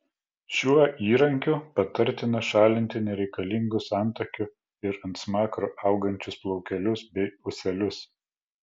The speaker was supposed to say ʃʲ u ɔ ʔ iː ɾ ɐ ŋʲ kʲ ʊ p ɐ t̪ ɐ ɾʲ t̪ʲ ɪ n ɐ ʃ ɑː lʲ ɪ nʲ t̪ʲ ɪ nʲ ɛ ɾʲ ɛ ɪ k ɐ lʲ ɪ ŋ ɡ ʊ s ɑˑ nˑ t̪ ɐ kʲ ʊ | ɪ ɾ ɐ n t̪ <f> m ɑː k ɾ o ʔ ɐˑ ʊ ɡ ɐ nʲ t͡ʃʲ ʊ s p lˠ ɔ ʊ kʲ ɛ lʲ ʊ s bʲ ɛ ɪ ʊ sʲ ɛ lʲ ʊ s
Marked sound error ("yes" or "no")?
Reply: yes